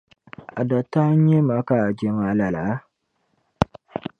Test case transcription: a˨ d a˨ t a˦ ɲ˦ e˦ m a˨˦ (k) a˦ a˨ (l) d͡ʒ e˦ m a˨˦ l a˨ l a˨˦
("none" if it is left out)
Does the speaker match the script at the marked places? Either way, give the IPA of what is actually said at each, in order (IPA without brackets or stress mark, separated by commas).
k, none